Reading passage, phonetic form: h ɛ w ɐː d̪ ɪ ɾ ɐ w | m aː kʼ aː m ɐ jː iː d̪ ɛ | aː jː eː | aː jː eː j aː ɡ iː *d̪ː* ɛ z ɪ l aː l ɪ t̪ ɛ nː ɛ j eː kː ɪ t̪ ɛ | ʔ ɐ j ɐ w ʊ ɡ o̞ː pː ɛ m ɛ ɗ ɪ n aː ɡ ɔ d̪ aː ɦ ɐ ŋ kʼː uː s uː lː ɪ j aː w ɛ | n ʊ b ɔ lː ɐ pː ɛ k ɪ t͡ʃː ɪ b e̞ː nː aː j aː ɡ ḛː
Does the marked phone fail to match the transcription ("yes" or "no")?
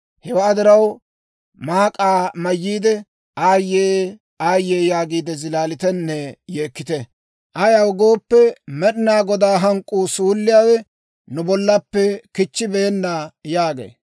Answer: yes